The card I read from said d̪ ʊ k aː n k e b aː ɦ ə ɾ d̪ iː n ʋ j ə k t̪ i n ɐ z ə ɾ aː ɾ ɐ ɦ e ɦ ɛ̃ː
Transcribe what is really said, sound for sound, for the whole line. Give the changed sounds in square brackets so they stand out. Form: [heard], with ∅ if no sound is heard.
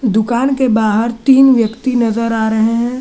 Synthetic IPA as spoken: d̪ ʊ k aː n k e b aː ɦ ə ɾ [t̪] iː n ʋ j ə k t̪ i n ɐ z ə ɾ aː ɾ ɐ ɦ e ɦ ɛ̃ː